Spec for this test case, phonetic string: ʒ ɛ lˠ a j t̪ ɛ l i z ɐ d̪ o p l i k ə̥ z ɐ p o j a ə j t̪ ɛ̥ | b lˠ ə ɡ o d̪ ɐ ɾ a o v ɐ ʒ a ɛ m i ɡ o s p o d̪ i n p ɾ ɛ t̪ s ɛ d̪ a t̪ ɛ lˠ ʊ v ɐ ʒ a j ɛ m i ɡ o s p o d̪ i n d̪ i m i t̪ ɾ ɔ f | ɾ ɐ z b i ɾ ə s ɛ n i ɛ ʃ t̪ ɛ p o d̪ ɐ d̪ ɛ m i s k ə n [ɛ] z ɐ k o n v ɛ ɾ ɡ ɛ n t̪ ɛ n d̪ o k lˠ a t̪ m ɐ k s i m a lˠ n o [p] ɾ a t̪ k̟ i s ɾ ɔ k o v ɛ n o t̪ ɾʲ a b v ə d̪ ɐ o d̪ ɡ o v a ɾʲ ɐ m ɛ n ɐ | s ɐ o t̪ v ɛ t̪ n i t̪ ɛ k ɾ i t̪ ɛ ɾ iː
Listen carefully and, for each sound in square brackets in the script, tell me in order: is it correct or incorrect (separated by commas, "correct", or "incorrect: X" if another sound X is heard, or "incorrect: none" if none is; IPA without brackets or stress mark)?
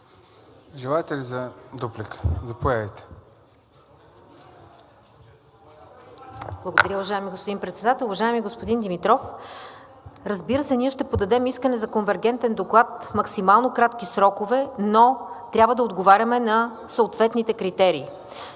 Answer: correct, incorrect: k